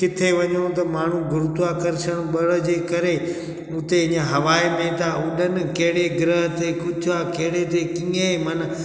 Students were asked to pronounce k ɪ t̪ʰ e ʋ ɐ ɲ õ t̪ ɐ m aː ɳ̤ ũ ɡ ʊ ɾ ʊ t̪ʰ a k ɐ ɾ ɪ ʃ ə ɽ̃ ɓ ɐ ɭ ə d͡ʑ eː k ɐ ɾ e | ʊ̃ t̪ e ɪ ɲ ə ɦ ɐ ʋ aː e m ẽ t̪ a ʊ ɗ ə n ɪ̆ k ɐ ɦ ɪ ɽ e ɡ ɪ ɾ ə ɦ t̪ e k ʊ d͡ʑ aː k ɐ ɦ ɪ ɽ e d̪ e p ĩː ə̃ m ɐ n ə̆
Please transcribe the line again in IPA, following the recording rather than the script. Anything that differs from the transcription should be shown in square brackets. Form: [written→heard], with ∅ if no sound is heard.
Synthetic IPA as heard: k ɪ t̪ʰ e ʋ ɐ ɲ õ t̪ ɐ m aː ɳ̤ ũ ɡ ʊ ɾ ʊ [t̪ʰ→t̪] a k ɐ ɾ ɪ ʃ ə ɽ̃ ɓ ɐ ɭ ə d͡ʑ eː k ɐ ɾ e | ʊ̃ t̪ e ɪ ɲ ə ɦ ɐ ʋ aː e m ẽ t̪ a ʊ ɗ ə n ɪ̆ k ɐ ɦ ɪ ɽ e ɡ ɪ ɾ ə ɦ t̪ e k ʊ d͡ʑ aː k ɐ ɦ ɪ ɽ e [d̪→t̪] e [p→k] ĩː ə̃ m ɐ n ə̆